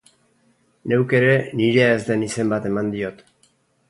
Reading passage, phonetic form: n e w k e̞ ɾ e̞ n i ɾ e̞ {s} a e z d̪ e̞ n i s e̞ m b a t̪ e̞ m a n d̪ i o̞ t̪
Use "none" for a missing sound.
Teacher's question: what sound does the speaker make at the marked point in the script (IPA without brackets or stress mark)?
none